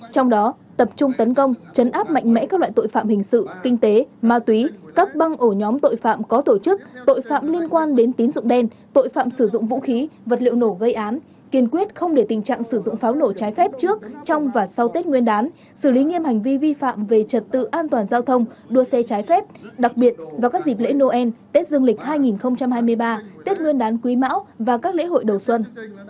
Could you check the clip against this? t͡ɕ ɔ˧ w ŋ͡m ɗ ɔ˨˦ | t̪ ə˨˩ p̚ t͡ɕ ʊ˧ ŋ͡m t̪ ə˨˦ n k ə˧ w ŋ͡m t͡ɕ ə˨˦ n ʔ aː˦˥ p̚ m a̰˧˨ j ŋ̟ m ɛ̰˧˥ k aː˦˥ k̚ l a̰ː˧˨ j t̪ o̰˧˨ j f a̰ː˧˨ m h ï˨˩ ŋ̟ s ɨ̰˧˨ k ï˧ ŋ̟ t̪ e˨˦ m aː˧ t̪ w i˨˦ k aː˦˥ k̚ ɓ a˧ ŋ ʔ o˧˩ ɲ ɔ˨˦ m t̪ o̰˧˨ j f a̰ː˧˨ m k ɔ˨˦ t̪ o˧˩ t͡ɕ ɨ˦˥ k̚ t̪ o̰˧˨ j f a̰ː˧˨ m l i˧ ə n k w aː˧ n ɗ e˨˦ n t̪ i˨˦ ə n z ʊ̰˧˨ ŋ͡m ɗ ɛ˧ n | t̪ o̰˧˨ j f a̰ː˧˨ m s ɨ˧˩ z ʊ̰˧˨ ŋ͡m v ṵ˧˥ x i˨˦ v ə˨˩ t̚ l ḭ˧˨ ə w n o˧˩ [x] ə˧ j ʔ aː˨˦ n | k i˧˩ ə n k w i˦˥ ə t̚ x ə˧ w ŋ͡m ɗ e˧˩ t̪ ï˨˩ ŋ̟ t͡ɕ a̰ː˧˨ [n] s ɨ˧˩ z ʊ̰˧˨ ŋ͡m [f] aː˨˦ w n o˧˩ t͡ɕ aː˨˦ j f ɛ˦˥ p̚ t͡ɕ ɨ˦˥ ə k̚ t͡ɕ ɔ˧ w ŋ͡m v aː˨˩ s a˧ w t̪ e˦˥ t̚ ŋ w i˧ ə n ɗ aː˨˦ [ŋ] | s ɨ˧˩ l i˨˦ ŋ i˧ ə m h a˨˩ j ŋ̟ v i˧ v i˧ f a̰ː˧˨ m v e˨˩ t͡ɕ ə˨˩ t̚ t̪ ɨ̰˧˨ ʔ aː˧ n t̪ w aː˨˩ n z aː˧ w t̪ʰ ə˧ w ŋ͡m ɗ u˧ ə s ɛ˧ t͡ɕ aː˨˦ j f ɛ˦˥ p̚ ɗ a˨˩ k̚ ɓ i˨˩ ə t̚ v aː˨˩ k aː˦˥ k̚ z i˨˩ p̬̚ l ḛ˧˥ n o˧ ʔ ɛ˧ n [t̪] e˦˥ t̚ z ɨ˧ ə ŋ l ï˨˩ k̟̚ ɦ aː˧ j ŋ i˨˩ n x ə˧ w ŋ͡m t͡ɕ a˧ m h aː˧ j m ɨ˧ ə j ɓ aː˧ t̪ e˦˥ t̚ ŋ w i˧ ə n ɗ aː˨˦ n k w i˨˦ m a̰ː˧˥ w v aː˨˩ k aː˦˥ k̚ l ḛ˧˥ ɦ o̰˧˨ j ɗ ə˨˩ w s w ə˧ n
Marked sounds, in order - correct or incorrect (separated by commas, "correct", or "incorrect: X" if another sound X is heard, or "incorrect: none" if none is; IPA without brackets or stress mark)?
incorrect: ɣ, incorrect: ŋ, correct, incorrect: n, correct